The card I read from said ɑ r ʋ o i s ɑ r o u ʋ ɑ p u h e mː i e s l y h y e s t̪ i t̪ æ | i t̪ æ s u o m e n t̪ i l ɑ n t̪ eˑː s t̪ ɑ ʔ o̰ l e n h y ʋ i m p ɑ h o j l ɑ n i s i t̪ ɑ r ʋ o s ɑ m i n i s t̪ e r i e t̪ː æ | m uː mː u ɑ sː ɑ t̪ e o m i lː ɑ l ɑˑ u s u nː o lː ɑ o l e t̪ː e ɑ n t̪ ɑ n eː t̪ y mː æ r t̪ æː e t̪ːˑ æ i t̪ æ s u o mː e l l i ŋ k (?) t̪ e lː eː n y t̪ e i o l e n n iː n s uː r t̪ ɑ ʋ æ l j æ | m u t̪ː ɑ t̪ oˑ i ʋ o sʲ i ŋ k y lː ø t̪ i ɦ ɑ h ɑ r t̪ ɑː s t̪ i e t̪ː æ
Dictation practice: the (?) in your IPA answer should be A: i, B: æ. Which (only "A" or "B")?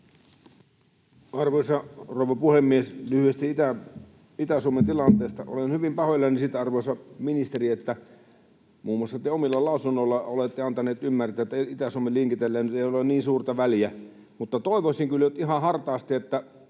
A